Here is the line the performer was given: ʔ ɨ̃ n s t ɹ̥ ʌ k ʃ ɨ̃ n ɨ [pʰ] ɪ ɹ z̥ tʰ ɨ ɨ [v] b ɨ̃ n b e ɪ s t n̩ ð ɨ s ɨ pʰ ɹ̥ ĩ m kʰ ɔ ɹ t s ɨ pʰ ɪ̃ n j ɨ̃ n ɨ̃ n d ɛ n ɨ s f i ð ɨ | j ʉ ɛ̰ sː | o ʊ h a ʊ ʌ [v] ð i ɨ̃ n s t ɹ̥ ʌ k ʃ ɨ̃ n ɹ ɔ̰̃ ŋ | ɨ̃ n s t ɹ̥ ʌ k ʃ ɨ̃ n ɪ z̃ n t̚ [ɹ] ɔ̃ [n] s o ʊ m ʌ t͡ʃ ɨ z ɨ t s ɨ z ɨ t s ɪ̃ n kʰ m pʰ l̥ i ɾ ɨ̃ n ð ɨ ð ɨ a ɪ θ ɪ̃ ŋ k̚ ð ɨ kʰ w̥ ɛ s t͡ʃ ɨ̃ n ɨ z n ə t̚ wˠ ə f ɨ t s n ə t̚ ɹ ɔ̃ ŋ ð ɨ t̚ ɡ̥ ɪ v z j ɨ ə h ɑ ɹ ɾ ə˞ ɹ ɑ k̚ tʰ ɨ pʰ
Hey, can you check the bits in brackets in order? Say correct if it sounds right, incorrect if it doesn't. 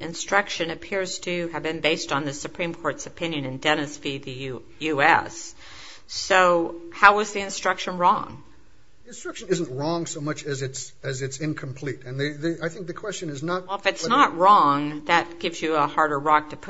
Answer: correct, correct, incorrect: z, correct, incorrect: ŋ

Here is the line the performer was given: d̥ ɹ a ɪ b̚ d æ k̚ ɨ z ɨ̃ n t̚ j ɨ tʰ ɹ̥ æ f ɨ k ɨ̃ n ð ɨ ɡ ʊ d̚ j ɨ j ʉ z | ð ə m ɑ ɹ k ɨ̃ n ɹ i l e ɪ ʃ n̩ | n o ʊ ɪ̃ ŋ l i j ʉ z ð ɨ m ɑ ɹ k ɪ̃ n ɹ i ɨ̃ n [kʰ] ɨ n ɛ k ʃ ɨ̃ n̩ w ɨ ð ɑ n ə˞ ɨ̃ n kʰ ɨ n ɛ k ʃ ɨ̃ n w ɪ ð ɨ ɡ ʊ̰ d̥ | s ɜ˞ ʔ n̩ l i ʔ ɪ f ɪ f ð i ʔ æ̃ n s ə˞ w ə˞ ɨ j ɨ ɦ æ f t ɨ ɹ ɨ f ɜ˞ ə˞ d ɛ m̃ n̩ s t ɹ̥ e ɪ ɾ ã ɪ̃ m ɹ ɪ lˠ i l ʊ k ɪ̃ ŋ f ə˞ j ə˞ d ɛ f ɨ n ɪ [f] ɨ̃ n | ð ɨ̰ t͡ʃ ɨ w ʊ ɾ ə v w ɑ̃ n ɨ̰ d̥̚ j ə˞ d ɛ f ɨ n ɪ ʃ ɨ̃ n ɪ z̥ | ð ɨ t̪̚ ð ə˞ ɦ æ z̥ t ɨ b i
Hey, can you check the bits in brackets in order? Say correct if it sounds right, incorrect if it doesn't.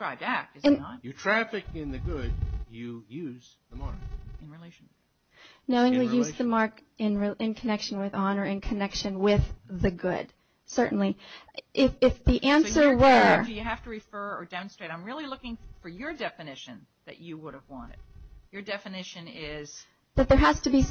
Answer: correct, incorrect: ʃ

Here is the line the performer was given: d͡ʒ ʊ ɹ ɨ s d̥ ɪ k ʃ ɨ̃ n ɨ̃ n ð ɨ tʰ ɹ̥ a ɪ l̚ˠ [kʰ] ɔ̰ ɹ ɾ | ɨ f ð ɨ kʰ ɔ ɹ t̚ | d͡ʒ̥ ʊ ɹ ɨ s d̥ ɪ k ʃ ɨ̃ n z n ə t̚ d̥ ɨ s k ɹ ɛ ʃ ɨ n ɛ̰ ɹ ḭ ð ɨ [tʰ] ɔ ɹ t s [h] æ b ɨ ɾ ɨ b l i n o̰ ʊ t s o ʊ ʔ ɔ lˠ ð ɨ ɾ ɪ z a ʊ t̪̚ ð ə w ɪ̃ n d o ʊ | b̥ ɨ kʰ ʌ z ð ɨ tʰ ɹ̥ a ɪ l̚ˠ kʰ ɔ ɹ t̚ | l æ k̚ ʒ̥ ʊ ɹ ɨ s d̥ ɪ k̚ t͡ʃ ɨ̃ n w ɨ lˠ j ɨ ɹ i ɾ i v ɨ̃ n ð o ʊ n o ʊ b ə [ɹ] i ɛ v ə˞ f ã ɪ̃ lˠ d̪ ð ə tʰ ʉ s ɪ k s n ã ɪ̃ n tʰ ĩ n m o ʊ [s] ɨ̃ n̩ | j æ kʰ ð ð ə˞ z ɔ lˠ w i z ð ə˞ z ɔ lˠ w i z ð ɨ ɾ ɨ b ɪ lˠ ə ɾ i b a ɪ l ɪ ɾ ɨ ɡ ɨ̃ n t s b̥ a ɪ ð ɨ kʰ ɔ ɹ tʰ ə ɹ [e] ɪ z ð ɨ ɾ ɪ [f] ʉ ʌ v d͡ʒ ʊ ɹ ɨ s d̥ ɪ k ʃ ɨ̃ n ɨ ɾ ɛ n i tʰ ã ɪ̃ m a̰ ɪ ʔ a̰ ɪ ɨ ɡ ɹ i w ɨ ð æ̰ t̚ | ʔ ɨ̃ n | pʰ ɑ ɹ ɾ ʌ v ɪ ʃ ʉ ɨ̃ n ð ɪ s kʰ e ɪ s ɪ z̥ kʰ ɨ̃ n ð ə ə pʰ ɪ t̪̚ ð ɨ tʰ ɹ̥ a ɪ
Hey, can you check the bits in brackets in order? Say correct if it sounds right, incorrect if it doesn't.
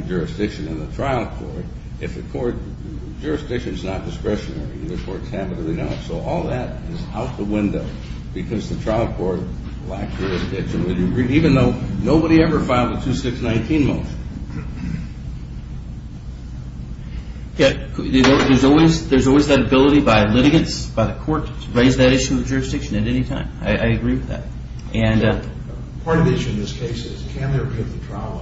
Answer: correct, incorrect: kʰ, correct, incorrect: ɾ, incorrect: ʃ, correct, incorrect: ʃ

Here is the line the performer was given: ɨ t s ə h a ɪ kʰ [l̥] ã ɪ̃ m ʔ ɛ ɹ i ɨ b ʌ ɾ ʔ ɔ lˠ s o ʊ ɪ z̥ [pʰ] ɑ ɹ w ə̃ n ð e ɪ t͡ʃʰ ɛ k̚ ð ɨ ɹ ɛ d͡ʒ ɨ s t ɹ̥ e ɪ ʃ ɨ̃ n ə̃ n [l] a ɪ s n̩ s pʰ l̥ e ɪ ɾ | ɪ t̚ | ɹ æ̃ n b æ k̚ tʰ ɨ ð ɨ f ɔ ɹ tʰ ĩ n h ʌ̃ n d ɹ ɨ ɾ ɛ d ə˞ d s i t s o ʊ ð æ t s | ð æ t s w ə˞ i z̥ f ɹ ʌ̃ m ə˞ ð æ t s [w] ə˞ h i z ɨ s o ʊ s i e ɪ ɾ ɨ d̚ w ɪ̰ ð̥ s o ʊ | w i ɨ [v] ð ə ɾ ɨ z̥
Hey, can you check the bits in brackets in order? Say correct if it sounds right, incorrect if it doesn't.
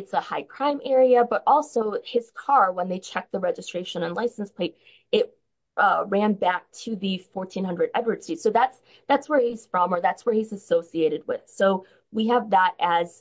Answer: incorrect: ɹ̥, incorrect: kʰ, correct, correct, correct

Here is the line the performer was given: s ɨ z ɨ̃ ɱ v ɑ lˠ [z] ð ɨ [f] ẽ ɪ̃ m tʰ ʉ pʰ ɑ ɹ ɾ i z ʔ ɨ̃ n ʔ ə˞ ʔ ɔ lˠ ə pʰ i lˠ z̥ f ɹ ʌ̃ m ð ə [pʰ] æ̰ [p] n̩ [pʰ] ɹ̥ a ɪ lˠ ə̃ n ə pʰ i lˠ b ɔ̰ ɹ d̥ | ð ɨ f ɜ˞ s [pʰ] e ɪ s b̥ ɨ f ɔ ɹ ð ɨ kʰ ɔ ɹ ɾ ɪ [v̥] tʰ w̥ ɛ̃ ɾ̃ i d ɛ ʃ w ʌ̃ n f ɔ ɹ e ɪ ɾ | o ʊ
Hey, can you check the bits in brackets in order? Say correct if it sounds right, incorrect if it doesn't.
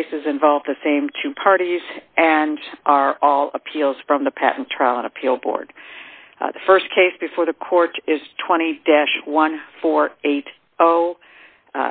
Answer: incorrect: v, incorrect: s, correct, incorrect: ʔ, incorrect: tʰ, incorrect: kʰ, incorrect: z̥

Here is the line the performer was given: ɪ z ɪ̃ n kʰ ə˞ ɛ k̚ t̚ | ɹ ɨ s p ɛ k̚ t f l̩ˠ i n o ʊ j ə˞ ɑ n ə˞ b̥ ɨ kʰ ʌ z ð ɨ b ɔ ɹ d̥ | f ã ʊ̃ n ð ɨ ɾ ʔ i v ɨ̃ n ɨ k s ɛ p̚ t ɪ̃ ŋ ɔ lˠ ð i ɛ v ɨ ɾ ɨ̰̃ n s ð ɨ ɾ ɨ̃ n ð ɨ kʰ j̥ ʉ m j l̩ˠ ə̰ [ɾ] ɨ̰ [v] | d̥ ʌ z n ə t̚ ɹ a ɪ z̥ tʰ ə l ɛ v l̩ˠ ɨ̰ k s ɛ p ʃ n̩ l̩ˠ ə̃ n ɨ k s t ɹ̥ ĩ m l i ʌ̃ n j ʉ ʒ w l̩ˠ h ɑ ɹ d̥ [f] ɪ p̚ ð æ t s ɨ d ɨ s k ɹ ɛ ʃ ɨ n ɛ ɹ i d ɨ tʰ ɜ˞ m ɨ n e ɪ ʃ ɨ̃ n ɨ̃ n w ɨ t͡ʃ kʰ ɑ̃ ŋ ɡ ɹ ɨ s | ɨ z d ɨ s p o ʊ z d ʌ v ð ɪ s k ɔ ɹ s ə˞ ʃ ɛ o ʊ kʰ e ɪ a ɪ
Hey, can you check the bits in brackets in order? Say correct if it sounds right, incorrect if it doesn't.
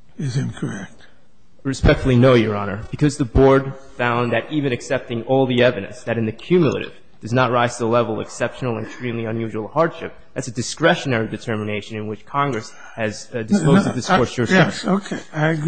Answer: correct, correct, incorrect: ʃ

